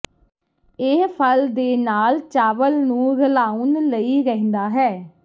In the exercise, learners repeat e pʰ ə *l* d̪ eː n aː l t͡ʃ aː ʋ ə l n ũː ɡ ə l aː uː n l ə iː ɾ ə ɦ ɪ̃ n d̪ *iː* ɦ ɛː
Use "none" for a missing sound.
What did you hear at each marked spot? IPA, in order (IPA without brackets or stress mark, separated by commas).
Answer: l, aː